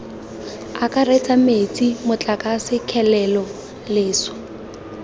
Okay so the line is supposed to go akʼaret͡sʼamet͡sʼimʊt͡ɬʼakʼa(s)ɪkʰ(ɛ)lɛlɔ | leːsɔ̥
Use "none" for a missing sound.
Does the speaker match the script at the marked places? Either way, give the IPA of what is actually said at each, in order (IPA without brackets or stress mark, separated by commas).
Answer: s, ɛ